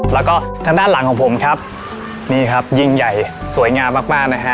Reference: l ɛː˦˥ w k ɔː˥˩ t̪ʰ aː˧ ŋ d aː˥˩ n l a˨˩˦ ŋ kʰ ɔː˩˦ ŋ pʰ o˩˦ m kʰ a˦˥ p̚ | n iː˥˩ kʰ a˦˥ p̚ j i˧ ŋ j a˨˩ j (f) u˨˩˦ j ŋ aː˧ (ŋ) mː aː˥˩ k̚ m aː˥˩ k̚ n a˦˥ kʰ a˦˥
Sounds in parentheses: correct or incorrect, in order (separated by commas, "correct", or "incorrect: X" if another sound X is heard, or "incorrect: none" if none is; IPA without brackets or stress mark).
incorrect: s, incorrect: none